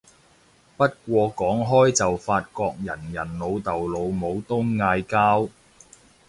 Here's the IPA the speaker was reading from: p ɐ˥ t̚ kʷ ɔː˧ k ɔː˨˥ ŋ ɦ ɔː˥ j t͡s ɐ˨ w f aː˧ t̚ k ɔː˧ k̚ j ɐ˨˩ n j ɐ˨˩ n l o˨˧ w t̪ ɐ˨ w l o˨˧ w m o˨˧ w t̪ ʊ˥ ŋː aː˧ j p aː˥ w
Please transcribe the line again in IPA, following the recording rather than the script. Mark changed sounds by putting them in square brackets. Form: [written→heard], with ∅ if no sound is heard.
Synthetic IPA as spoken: p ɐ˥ t̚ kʷ ɔː˧ k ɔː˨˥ ŋ ɦ ɔː˥ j t͡s ɐ˨ w f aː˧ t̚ k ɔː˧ k̚ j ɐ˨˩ n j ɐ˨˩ n l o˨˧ w t̪ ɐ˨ w l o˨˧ w m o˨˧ w t̪ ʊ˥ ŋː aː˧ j [p→k] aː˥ w